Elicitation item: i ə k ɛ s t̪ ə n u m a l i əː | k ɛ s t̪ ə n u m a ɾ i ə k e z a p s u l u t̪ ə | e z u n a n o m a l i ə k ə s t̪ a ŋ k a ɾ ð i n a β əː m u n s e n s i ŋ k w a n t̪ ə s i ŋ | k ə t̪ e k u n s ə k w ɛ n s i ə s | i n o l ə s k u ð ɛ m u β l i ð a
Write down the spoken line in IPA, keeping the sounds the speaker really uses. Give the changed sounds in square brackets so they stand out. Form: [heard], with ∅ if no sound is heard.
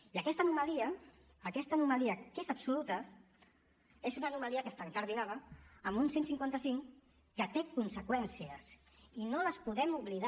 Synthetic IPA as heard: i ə k ɛ s t̪ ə n u m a l i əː | k ɛ s t̪ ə n u m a [l] i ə k e z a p s u l u t̪ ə | e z u n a n [u] m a l i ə k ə s t̪ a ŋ k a ɾ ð i n a β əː m u n s e n s i ŋ k w a n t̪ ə s i ŋ | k ə t̪ e k u n s ə k w ɛ n s i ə s | i n o l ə s [p] u ð ɛ m u β l i ð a